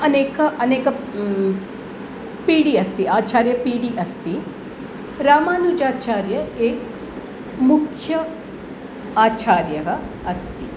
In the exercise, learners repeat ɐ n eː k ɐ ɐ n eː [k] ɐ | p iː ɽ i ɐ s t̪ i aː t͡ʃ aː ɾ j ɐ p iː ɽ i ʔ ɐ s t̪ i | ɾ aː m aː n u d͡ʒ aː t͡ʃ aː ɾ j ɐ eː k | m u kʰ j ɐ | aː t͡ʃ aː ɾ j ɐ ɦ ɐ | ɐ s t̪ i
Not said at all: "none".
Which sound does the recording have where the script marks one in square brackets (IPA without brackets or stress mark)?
k